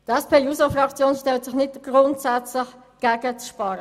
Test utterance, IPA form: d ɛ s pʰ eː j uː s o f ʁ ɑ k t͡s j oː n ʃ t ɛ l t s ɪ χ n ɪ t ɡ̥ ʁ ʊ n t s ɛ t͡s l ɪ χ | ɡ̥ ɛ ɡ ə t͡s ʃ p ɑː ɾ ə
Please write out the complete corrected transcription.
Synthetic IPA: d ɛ s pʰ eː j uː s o f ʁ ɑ k t͡s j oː n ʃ t ɛ l t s ɪ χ n ɪ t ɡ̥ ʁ ʊ n t s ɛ t͡s l ɪ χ | ɡ̥ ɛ ɡ ə t͡s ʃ p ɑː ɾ ə